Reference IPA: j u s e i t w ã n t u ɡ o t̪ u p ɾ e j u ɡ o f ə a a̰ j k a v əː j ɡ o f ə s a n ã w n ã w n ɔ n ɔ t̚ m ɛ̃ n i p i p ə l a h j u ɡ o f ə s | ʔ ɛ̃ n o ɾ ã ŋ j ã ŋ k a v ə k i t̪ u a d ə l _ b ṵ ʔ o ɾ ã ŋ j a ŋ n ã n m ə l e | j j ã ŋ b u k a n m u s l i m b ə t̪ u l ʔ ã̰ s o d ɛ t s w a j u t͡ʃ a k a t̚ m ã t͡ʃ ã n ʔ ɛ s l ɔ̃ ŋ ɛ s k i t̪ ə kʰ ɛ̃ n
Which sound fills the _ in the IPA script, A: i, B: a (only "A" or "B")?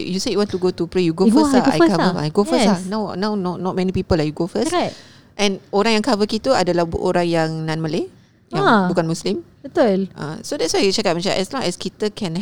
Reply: B